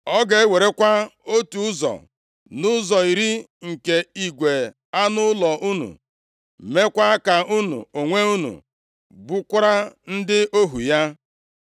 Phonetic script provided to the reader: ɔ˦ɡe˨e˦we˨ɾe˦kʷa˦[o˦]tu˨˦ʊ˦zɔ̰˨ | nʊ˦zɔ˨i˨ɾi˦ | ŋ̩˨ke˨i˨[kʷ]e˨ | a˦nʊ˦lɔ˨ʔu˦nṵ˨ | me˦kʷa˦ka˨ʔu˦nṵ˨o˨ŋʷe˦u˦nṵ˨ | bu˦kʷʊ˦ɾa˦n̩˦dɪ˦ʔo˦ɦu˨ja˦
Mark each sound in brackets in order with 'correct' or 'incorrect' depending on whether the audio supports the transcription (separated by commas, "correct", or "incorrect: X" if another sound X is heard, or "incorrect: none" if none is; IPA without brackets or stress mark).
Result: correct, incorrect: ɡʷ